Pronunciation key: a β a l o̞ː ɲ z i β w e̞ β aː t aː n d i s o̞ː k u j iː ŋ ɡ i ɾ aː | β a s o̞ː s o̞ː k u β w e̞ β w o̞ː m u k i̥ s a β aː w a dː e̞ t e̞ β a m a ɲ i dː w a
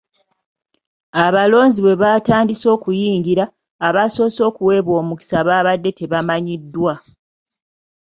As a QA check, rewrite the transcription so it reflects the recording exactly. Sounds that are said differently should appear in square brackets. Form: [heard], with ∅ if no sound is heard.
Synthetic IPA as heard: a β a l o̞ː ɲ z i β w e̞ β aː t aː n d i s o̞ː k u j iː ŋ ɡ i ɾ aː | β a s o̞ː s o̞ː k u [∅] w e̞ β w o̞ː m u k i̥ s a β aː [β] a dː e̞ t e̞ β a m a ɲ i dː w a